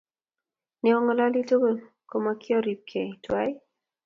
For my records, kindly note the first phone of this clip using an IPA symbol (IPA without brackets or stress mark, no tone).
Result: n